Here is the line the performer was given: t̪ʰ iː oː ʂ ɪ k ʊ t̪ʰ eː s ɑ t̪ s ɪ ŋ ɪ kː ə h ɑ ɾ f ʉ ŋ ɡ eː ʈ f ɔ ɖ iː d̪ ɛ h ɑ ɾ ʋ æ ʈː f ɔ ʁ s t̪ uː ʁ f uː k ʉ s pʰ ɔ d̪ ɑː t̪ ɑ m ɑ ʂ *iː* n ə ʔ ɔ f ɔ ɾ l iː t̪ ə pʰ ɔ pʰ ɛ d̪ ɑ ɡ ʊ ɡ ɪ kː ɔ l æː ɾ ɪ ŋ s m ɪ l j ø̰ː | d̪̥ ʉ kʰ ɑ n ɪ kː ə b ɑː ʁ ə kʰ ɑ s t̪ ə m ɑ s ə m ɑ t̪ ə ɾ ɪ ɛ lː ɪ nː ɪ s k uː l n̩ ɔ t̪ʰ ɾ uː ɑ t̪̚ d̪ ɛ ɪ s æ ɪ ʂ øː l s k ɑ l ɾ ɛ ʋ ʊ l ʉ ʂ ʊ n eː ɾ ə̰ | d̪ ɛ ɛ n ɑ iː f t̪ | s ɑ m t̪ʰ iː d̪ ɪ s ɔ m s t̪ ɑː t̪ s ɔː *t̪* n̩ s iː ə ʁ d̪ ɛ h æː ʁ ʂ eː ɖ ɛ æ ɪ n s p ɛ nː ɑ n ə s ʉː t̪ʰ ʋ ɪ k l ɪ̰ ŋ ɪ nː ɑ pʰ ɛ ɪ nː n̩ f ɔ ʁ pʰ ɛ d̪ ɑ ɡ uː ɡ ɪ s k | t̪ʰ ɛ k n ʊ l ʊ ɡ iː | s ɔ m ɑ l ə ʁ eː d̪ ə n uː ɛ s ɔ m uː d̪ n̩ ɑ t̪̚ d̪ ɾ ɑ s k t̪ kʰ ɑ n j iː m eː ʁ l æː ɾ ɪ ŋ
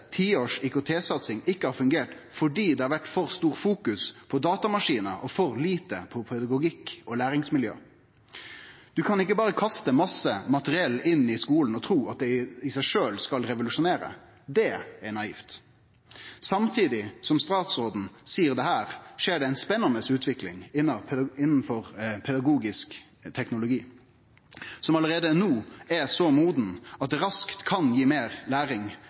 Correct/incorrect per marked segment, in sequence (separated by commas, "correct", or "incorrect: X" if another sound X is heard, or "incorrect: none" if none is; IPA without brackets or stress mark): correct, incorrect: d̪